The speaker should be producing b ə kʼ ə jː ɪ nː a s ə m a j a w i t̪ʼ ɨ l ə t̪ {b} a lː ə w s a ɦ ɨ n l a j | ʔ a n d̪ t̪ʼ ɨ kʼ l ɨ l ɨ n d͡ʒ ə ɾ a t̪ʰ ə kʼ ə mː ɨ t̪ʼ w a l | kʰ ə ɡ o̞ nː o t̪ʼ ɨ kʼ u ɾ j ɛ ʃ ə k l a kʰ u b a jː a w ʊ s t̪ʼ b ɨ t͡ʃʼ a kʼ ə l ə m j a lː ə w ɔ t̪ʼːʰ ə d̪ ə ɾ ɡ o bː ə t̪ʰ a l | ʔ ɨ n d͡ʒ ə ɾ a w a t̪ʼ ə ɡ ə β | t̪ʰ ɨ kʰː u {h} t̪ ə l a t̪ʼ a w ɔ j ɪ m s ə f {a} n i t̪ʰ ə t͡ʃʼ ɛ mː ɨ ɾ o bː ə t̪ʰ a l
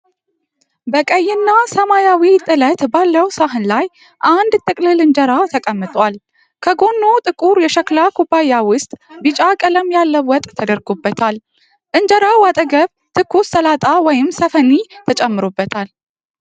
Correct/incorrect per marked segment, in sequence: correct, incorrect, incorrect

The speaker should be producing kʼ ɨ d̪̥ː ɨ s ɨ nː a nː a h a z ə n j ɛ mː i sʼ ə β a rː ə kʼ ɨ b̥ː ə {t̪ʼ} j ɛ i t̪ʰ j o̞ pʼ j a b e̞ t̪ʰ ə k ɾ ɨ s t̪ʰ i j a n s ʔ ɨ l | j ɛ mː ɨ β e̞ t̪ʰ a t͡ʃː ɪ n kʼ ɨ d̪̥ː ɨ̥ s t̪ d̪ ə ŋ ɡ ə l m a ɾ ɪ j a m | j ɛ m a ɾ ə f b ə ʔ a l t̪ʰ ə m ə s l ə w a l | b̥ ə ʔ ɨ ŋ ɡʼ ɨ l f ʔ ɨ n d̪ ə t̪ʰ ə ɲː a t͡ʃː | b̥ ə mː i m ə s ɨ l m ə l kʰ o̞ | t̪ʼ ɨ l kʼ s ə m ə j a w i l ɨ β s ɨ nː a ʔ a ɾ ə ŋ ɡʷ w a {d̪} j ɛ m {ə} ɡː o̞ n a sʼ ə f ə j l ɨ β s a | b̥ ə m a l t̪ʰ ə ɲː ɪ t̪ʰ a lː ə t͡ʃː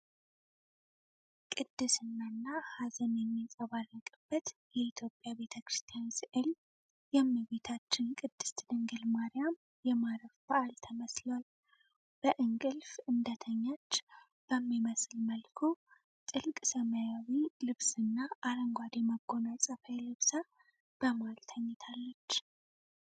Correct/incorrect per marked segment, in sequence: incorrect, correct, correct

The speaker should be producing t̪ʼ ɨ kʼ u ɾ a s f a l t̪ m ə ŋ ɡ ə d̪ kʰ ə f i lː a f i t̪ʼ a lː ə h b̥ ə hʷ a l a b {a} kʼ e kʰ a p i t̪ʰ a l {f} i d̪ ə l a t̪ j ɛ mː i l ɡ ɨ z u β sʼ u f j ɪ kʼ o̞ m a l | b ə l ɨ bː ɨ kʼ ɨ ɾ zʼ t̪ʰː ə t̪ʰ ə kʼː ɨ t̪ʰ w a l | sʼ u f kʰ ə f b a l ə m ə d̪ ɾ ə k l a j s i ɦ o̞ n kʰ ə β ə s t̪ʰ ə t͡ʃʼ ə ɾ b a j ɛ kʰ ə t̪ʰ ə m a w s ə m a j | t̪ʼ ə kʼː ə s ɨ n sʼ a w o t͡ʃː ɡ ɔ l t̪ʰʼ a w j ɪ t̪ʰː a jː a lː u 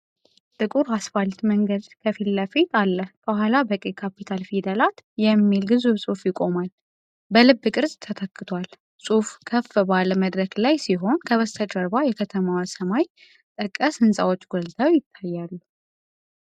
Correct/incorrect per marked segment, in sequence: incorrect, correct

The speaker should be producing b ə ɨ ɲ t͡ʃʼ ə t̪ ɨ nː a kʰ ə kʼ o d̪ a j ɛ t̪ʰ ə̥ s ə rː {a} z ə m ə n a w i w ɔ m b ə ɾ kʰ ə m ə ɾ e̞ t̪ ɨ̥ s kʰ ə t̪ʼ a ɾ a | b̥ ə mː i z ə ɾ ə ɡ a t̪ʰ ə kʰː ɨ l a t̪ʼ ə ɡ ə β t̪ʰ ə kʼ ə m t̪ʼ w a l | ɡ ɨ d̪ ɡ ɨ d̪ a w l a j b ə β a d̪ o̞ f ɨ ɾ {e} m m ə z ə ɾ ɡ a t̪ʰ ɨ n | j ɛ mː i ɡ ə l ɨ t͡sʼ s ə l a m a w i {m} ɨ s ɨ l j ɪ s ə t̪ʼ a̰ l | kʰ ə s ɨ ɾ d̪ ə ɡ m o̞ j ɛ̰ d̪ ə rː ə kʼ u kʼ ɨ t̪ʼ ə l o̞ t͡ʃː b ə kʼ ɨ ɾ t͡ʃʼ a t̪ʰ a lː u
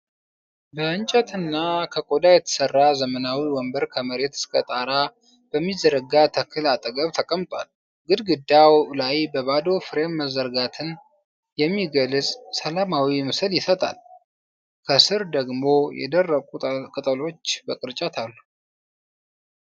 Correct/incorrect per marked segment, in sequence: correct, correct, correct

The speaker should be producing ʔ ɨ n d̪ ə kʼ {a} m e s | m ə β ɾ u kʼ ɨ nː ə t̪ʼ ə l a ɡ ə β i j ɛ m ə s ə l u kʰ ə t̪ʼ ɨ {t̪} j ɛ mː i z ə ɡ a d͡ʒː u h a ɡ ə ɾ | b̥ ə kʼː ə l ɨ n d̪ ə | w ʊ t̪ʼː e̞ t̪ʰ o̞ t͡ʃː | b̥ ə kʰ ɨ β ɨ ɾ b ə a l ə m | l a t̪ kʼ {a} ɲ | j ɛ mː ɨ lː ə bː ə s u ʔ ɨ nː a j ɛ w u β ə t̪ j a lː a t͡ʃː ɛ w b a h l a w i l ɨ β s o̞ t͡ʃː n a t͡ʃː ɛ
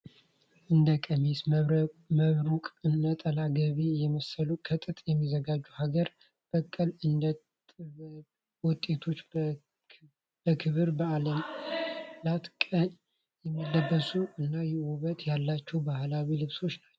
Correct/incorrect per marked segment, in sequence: incorrect, incorrect, incorrect

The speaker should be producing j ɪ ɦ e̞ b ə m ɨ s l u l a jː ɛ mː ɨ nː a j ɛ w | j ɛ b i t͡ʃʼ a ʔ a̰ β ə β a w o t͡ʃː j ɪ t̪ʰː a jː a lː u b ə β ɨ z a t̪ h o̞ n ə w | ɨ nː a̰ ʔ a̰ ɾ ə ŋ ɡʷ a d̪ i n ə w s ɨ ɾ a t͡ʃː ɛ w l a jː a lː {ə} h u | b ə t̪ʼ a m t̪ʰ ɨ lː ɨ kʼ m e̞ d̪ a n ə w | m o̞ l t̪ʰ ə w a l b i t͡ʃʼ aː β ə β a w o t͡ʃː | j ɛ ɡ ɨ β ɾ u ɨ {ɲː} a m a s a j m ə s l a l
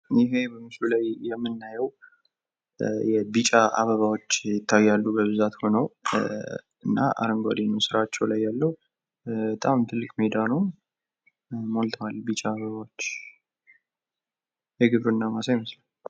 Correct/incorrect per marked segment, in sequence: correct, incorrect

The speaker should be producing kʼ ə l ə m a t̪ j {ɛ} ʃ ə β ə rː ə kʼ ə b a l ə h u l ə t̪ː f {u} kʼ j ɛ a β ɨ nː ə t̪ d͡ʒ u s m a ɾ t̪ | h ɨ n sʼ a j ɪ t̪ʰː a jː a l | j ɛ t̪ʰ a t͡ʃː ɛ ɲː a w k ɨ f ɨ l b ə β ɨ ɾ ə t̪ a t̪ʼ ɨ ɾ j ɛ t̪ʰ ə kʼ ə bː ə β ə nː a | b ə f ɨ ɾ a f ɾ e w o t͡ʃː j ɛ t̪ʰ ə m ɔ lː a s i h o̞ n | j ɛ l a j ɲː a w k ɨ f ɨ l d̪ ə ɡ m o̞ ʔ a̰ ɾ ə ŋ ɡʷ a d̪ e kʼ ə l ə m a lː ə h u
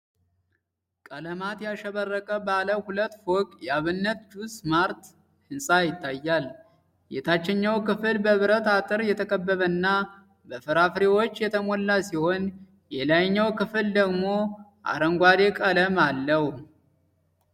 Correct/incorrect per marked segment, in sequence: incorrect, incorrect

